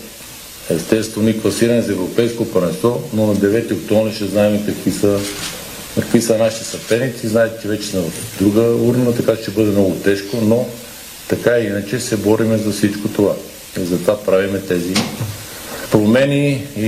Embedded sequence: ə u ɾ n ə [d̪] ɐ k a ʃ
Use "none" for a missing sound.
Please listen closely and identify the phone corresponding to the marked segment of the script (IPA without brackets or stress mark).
t̪